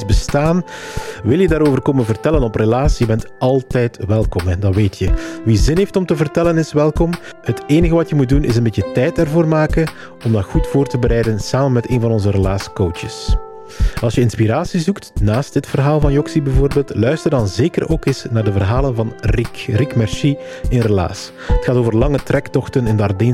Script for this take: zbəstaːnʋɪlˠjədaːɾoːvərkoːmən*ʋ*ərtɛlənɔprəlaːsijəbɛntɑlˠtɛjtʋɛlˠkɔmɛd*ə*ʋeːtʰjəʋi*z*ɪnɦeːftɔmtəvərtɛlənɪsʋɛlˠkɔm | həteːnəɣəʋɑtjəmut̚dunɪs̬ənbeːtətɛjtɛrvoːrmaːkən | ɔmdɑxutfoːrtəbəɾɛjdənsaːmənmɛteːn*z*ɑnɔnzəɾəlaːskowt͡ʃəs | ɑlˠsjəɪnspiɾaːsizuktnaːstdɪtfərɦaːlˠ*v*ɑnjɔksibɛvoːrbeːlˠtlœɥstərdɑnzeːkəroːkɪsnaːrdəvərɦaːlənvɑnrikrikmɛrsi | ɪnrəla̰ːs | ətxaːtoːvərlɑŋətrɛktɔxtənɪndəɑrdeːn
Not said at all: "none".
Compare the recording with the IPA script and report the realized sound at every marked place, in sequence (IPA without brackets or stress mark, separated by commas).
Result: v, ɑ, z, v, v